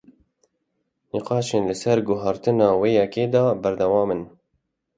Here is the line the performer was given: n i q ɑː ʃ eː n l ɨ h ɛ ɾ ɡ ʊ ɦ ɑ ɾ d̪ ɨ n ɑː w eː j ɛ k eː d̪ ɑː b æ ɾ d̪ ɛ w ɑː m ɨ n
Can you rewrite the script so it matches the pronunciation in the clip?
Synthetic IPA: n i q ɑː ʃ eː n l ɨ s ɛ ɾ ɡ ʊ ɦ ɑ ɾ t̪ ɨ n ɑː w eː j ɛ k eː d̪ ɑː b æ ɾ d̪ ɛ w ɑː m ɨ n